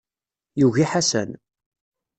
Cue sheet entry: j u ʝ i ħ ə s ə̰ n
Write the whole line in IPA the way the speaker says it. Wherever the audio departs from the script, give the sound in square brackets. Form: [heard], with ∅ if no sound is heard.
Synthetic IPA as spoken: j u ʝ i ħ [a] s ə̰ n